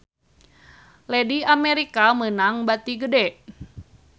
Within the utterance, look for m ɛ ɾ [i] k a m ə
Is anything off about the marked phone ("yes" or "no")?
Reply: no